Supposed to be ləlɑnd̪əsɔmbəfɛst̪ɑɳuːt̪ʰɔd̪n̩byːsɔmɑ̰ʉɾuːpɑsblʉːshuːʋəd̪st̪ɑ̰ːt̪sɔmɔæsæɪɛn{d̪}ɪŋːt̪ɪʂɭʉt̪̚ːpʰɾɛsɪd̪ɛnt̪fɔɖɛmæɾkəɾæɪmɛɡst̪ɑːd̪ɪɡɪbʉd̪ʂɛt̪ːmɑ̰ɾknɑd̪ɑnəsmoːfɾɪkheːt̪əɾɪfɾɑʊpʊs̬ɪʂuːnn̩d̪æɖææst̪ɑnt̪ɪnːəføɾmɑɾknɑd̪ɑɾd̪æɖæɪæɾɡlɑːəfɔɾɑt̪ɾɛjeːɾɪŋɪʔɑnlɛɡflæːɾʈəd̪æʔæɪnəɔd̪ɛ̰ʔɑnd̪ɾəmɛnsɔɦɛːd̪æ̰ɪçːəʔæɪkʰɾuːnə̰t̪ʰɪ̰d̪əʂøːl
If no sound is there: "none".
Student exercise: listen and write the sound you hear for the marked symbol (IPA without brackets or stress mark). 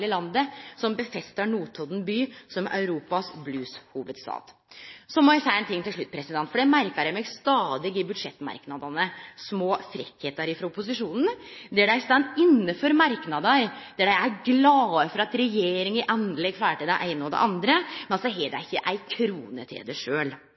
t̪